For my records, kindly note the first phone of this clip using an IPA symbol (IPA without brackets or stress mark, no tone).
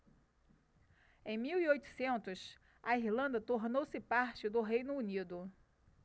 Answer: ẽ